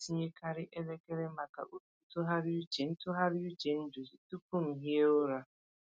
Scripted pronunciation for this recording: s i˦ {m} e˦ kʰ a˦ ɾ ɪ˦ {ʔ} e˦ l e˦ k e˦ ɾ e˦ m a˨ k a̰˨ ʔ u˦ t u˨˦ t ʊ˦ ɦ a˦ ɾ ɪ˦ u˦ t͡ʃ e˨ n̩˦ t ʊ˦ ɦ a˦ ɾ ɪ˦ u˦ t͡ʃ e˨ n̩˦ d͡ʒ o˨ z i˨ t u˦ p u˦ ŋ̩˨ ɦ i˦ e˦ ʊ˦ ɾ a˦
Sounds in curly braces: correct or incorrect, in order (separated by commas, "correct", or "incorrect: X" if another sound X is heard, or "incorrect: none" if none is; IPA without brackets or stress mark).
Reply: incorrect: ɲ, correct